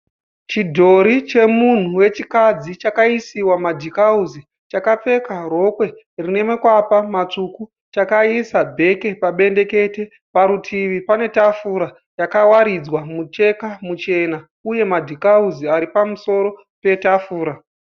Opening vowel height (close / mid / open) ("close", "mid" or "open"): close